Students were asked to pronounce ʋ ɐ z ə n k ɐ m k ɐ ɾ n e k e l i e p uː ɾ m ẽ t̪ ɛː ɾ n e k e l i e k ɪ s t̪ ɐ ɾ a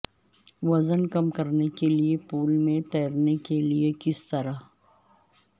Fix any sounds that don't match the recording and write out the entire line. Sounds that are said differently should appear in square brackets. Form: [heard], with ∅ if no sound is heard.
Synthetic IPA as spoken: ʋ ɐ z ə n k ɐ m k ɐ ɾ n e k e l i e p uː [l] m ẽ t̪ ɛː ɾ n e k e l i e k ɪ s t̪ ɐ ɾ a